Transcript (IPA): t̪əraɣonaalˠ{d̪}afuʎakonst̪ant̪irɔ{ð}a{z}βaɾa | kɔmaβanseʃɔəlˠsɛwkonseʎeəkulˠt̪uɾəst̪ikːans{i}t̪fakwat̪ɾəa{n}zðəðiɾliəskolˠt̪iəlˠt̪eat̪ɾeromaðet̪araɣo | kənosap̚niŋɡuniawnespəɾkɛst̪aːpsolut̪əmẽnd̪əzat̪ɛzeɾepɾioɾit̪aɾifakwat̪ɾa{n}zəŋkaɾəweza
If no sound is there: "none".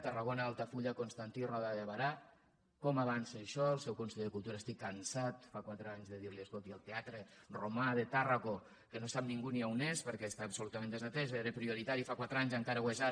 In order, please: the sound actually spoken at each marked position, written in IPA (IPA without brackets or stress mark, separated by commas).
t̪, ð, ð, a, ɲ, ɲ